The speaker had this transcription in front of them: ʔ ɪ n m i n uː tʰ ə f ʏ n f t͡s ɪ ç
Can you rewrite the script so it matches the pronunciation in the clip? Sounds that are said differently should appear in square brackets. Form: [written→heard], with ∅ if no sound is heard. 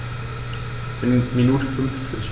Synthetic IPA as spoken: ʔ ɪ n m i n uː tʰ ə f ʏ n f t͡s ɪ ç